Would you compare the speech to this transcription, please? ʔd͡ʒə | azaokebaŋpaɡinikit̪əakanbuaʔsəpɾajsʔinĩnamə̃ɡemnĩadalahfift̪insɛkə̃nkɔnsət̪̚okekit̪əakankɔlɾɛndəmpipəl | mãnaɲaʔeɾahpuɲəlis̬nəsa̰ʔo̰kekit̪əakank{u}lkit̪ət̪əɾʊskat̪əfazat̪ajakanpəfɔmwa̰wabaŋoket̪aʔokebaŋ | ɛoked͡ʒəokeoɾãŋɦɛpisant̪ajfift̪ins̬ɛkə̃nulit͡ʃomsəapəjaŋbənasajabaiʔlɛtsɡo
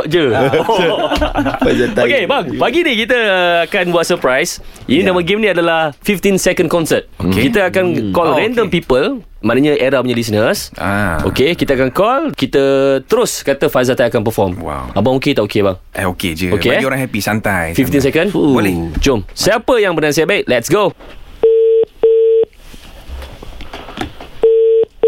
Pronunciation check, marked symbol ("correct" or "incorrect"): incorrect